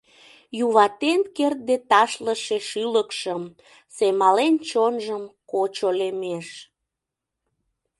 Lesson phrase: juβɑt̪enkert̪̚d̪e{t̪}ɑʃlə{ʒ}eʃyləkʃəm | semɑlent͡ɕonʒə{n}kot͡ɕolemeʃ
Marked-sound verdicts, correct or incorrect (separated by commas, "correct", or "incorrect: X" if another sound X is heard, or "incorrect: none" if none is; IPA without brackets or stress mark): correct, incorrect: ʃ, incorrect: m